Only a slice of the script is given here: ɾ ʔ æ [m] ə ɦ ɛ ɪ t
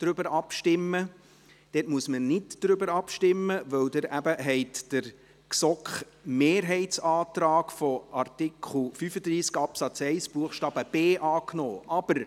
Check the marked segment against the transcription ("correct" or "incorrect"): incorrect